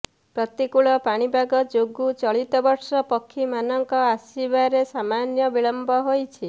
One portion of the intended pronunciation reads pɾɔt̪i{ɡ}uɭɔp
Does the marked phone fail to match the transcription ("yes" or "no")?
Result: yes